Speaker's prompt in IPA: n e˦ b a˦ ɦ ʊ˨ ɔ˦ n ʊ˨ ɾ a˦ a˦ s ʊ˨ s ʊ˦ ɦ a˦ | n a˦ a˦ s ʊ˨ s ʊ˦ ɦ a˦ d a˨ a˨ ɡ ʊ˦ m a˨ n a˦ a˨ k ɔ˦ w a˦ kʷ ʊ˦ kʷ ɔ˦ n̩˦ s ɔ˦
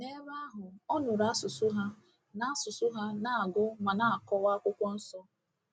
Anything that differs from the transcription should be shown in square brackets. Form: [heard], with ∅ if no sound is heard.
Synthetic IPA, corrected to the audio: n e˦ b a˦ ɦ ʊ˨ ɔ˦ n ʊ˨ ɾ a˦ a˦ s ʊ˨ s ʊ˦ ɦ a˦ | n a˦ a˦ s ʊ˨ s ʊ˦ ɦ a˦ [n] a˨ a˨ ɡ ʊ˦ m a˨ n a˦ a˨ k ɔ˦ w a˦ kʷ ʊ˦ kʷ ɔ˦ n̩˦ s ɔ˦